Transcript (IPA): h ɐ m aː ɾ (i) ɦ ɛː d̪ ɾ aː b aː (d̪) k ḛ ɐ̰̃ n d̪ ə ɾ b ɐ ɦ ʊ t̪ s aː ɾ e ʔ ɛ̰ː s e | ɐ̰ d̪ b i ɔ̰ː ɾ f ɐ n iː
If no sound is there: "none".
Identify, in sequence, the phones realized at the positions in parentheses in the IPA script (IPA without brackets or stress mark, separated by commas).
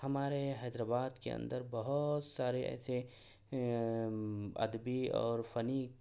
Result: e, d̪